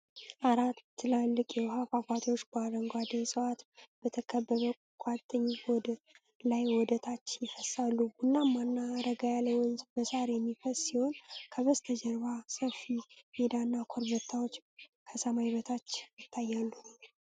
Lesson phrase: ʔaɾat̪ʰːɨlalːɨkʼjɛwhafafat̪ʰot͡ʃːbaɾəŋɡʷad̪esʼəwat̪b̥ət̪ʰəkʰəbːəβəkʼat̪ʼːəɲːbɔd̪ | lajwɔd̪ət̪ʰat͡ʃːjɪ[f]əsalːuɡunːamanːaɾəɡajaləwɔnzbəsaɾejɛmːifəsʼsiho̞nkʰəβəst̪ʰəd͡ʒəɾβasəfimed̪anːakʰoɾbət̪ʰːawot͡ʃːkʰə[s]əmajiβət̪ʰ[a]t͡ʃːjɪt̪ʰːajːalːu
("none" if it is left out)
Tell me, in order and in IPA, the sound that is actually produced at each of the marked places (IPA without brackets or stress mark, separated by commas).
f, s, a